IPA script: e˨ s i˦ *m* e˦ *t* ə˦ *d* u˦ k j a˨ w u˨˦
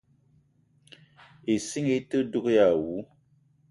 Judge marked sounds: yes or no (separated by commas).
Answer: no, yes, yes